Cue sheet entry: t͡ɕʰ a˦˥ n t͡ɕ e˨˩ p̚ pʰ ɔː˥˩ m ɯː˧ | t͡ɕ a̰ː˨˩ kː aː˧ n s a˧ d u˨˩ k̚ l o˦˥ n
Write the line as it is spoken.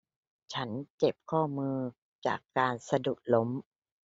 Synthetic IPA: t͡ɕʰ a˦˥ n t͡ɕ e˨˩ p̚ kʰ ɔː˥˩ m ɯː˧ | t͡ɕ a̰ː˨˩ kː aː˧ n s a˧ d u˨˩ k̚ l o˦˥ m